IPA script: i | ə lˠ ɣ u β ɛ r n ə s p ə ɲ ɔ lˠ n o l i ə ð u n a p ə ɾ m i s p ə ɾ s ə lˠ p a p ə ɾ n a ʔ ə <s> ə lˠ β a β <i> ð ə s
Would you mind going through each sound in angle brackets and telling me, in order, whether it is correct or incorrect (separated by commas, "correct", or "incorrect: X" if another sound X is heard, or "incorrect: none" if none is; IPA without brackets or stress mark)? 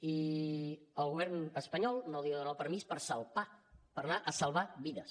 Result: correct, correct